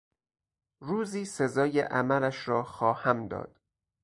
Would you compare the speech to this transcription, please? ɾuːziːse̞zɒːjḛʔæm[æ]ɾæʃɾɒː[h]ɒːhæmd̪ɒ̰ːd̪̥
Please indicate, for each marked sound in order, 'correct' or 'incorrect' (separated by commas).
correct, incorrect